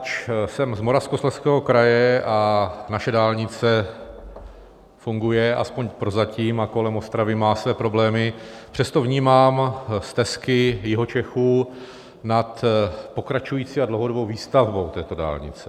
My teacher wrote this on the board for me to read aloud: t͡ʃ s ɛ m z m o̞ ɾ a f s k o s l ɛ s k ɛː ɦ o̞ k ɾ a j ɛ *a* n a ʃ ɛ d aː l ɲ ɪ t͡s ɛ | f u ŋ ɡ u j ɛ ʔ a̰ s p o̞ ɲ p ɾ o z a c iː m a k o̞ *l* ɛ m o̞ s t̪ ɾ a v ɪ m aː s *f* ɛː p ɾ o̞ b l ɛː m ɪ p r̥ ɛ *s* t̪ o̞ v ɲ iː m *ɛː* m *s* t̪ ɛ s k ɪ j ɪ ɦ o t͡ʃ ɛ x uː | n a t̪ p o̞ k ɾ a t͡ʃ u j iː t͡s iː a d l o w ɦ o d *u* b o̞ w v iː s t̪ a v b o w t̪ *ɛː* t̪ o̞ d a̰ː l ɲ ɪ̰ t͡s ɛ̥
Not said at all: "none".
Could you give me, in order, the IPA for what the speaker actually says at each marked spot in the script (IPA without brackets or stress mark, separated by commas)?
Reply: a, l, v, s, aː, s, o, ɛː